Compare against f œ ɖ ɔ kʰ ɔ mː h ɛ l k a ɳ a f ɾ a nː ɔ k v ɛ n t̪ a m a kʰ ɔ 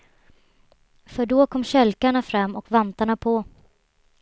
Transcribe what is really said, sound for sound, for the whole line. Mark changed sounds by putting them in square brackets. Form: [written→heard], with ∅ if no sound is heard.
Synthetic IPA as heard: f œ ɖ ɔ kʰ ɔ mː [h→ɕ] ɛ l k a ɳ a f ɾ a [nː→mː] ɔ k v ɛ n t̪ a [m→ɳ] a [kʰ→pʰ] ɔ